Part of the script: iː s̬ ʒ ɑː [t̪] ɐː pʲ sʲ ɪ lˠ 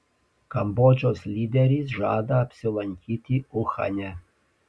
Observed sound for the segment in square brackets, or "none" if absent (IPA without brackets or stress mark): d̪